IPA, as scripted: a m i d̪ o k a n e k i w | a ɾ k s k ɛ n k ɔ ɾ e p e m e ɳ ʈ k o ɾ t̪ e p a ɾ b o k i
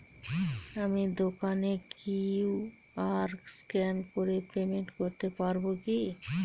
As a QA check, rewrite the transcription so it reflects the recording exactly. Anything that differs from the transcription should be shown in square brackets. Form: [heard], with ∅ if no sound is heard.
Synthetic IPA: a m i d̪ o k a n e k i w | a ɾ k s k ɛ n k [o] ɾ e p e m e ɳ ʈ k o ɾ t̪ e p a ɾ b o k i